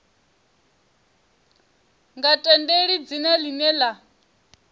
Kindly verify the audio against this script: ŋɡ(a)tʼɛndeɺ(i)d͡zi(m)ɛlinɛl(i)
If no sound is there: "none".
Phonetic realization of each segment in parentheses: a, i, n, a

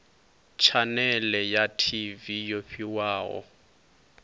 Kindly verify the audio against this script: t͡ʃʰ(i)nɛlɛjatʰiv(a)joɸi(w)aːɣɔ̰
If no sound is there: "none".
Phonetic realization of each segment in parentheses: a, i, w

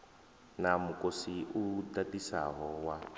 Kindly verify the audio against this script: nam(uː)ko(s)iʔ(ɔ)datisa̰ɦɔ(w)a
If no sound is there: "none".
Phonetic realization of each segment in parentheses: u, s, u, w

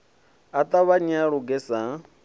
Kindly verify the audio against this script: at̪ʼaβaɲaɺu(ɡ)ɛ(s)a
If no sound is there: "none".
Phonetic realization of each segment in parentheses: ɡ, s

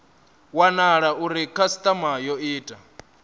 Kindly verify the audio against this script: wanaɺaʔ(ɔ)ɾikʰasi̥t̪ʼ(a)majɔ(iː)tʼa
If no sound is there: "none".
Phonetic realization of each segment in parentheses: u, a, iː

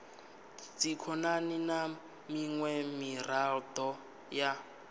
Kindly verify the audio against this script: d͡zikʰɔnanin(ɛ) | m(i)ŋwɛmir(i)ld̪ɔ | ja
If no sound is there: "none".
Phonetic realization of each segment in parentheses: a, i, a

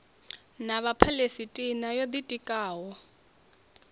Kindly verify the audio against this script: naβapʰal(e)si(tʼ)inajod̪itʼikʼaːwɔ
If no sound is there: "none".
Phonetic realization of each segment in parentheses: e, tʼ

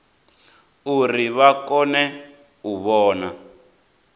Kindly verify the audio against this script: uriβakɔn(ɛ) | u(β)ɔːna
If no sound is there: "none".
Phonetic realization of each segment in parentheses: ɛ, β

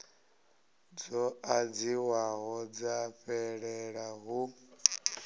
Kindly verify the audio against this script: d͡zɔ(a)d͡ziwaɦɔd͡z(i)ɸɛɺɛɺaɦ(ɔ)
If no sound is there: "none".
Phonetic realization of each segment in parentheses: a, a, u

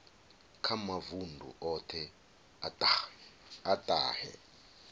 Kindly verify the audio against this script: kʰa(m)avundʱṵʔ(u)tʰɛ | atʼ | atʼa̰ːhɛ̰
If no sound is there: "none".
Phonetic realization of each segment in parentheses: m, ɔ

